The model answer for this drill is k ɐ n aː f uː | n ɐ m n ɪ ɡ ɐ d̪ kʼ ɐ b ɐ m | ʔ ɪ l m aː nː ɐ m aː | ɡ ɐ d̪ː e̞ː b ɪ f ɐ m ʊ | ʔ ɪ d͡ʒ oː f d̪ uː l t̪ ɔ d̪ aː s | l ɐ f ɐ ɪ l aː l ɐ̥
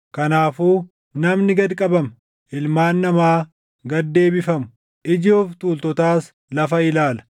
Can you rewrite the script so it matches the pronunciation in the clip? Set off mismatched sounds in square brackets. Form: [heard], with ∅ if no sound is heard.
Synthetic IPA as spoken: k ɐ n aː f uː | n ɐ m n ɪ ɡ ɐ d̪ kʼ ɐ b ɐ m | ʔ ɪ l m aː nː ɐ m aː | ɡ ɐ d̪ː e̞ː b ɪ f ɐ m ʊ | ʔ ɪ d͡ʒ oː f [t̪] uː l t̪ ɔ [t̪] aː s | l ɐ f ɐ ɪ l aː l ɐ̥